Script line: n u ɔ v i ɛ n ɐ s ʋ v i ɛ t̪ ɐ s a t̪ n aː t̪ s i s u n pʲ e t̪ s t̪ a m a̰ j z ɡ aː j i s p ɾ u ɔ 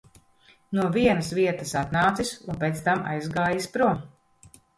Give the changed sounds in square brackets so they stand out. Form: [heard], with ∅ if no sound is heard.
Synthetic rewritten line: n u ɔ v i ɛ n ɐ s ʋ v i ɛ t̪ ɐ s a t̪ n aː t̪ s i s u n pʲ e t̪ s t̪ a m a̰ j z ɡ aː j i s p ɾ u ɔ